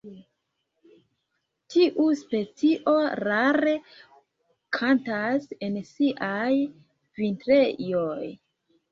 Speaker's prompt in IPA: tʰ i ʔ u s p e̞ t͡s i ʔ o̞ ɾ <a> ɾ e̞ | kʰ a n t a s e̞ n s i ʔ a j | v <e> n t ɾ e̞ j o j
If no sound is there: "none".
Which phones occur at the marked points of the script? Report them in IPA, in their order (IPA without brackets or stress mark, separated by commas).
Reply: a, i